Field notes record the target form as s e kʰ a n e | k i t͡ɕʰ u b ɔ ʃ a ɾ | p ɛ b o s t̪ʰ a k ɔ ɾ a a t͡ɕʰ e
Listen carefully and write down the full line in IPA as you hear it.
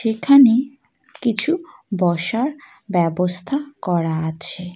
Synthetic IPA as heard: ʃ e kʰ a n e | k i t͡ɕʰ u b ɔ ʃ a ɾ | b ɛ b o s t̪ʰ a k ɔ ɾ a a t͡ɕʰ e